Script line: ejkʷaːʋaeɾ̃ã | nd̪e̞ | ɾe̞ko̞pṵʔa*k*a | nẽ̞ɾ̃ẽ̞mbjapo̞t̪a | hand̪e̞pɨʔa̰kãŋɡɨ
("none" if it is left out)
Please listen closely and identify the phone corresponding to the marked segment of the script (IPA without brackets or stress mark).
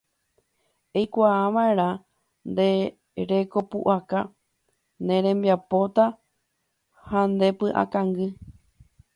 k